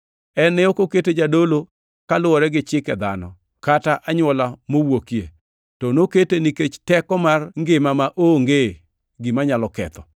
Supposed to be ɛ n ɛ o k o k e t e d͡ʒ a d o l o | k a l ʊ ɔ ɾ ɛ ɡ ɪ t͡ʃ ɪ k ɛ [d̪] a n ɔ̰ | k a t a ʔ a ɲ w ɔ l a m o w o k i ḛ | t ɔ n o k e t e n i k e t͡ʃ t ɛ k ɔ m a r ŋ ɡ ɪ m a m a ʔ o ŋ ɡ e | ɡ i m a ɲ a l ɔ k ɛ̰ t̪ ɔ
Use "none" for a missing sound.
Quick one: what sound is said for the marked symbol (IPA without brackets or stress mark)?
d̪